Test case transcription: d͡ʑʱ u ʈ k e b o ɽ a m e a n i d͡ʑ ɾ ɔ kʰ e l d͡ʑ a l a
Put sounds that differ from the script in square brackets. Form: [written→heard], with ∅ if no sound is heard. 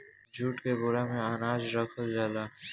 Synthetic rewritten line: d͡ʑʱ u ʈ k e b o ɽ a m e a n [i→a] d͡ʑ ɾ ɔ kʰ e l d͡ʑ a l a